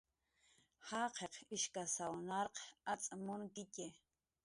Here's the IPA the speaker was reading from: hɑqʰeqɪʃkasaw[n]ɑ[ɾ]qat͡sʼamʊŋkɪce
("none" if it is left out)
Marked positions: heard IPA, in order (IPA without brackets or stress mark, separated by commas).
n, ɾ